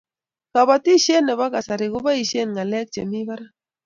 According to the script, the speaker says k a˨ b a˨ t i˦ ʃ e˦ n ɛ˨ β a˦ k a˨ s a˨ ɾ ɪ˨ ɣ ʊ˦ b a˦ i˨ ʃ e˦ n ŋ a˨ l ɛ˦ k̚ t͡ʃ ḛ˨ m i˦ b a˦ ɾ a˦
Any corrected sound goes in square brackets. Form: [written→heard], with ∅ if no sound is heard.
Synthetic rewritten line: k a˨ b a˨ t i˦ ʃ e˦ n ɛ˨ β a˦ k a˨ s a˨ ɾ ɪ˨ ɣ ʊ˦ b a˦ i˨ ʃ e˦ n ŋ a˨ l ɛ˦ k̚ t͡ʃ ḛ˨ m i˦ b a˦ ɾ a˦